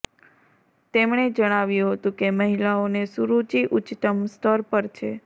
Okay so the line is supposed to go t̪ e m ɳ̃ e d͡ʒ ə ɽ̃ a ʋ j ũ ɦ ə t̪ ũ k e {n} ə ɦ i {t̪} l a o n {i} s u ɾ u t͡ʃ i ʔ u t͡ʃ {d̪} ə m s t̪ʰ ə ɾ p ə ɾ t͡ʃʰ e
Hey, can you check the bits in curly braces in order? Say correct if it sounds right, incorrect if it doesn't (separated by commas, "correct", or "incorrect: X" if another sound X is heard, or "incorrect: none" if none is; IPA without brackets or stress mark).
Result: incorrect: m, incorrect: none, incorrect: e, incorrect: t̪